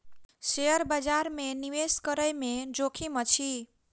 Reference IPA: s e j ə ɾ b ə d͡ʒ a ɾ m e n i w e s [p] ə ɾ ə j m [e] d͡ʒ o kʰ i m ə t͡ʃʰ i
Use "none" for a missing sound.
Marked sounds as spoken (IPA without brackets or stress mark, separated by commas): k, e